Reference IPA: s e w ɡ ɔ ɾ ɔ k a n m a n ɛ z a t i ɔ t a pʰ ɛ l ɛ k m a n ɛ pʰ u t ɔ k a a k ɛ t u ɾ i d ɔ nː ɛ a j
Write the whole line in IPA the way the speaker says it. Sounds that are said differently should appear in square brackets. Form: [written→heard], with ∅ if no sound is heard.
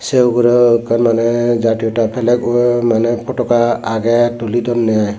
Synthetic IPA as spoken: s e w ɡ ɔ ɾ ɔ k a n m a n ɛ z a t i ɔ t a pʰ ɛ l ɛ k m a n ɛ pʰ [u→ɔ] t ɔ k a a [k→ɡ] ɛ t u [ɾ→l] i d ɔ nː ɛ a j